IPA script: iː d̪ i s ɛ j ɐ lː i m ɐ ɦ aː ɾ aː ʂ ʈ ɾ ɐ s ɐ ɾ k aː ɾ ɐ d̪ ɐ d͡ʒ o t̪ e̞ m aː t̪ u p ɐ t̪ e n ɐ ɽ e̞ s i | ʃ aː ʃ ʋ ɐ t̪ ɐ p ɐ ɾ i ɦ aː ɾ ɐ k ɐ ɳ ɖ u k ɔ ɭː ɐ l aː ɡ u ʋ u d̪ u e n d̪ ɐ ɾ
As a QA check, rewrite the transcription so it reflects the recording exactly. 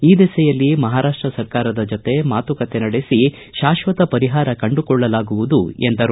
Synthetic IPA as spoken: iː d̪ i s ɛ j ɐ lː i m ɐ ɦ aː ɾ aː ʂ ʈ ɾ ɐ s ɐ ɾ k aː ɾ ɐ d̪ ɐ d͡ʒ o t̪ e̞ m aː t̪ u k ɐ t̪ e n ɐ ɽ e̞ s i | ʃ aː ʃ ʋ ɐ t̪ ɐ p ɐ ɾ i ɦ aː ɾ ɐ k ɐ ɳ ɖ u k ɔ ɭː ɐ l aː ɡ u ʋ u d̪ u e n d̪ ɐ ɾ